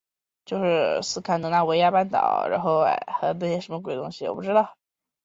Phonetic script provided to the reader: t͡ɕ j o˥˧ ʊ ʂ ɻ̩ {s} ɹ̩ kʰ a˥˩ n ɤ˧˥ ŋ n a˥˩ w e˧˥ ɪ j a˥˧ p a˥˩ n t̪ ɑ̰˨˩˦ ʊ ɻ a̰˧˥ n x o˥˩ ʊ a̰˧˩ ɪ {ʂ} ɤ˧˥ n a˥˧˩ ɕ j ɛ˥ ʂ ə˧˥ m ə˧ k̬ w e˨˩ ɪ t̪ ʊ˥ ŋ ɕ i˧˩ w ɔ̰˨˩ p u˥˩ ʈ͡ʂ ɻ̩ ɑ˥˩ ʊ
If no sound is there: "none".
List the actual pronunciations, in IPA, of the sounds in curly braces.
s, x

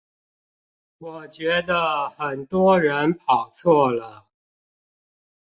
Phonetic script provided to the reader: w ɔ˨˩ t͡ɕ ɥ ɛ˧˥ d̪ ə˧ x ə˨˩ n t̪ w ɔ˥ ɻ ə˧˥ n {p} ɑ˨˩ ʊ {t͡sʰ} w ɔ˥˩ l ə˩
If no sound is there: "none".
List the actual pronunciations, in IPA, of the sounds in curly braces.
pʰ, t͡sʰ

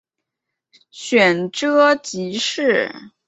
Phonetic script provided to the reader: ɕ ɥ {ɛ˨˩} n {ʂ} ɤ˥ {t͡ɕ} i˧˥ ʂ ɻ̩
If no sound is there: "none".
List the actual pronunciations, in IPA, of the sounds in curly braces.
ɛ˨˩, ʈ͡ʂ, t͡ɕ

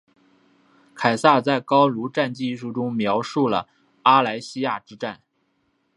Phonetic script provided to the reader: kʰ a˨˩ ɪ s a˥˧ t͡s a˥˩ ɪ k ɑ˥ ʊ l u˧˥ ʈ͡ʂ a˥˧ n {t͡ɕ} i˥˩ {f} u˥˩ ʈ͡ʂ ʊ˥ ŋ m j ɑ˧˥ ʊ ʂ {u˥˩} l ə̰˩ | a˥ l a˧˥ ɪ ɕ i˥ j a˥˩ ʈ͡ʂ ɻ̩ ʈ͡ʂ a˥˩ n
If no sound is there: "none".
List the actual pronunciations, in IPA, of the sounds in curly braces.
t͡ɕ, ʂ, u˥˩

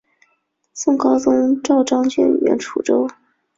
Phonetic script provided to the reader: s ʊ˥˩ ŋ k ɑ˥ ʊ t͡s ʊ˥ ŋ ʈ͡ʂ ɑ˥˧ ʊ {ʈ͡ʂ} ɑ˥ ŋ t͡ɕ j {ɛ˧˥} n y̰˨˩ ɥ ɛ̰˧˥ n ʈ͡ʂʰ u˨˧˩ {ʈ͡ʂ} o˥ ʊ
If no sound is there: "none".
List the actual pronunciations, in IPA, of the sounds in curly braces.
ʈ͡ʂ, ɛ˥˩, ʈ͡ʂ

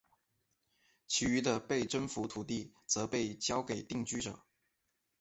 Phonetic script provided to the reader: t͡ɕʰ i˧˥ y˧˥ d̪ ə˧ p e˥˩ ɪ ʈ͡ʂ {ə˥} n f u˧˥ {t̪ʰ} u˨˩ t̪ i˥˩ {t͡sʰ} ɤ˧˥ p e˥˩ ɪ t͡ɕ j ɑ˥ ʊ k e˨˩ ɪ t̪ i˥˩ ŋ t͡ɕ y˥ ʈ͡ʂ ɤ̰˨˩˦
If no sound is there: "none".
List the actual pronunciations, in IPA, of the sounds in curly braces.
ə˥, t̪ʰ, t͡s

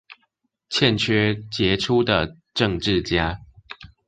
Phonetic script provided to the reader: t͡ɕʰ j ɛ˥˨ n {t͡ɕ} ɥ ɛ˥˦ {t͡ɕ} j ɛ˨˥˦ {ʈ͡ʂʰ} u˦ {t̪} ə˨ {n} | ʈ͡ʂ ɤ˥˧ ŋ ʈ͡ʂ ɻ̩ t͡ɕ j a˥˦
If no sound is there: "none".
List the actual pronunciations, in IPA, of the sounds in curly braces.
t͡ɕʰ, t͡ɕ, ʈ͡ʂʰ, d̪, none

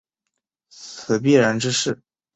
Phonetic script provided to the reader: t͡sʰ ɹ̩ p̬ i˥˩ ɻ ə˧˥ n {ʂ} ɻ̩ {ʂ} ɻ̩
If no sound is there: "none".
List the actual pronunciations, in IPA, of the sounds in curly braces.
ʈ͡ʂ, ʂ

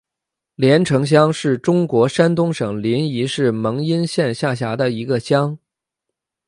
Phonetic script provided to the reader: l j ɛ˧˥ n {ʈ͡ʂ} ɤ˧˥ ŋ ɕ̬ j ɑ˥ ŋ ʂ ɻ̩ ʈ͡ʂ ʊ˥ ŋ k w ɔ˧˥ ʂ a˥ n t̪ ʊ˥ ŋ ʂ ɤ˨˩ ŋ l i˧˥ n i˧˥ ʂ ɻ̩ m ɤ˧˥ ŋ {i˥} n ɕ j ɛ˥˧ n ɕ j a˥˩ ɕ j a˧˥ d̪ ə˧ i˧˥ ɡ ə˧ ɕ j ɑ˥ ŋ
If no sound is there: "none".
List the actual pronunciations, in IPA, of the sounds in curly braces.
ʈ͡ʂʰ, i˥

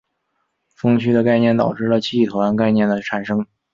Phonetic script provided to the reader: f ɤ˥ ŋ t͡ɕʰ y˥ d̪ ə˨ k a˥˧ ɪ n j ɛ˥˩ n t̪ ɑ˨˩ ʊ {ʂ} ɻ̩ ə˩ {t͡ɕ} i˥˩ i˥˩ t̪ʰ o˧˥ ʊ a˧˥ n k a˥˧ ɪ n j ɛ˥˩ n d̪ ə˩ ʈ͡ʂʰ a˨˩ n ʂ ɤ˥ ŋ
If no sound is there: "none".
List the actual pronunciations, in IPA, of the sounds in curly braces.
ʈ͡ʂ, t͡ɕʰ

